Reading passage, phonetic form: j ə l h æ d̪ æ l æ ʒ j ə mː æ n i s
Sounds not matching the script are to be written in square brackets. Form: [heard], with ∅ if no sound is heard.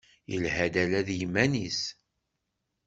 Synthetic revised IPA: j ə l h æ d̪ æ l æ [ð] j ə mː æ n i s